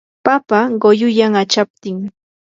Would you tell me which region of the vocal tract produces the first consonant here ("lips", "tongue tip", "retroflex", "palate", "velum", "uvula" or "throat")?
lips